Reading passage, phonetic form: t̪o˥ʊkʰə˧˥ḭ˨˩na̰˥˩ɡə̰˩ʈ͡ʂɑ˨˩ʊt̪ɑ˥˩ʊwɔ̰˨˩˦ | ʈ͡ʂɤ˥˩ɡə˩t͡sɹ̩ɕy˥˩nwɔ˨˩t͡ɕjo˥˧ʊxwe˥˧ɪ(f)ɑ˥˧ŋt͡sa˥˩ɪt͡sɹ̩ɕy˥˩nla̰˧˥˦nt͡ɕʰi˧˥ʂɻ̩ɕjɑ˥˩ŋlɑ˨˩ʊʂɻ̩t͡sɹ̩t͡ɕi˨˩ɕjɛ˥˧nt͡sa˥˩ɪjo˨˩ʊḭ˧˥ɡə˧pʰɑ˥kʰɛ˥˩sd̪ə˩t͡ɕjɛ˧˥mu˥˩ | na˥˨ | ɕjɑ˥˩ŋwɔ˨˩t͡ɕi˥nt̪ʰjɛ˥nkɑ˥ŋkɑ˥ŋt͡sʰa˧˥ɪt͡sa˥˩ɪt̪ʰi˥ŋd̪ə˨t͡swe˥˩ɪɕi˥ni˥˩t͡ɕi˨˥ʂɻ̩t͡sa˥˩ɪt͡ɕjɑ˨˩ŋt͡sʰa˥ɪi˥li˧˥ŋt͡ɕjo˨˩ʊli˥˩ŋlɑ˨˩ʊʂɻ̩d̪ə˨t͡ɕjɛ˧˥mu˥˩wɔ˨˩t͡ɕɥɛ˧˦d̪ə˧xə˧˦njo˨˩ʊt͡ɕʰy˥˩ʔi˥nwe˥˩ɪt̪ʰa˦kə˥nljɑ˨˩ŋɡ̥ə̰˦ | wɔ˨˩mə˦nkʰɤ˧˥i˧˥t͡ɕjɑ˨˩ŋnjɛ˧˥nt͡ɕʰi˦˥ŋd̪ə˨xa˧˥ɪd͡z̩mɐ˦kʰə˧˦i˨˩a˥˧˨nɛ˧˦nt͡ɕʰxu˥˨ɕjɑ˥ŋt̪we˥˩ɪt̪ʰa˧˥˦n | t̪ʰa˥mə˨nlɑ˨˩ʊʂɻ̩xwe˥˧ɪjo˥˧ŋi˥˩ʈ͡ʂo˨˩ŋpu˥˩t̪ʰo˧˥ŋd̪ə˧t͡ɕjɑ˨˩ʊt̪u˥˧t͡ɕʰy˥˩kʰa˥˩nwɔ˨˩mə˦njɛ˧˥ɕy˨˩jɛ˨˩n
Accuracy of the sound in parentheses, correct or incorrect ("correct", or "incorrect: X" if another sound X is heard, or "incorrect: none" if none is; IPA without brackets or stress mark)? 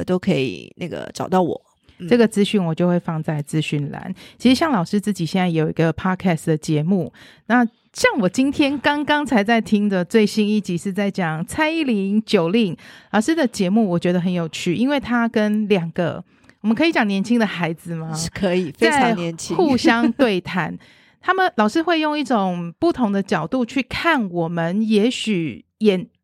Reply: correct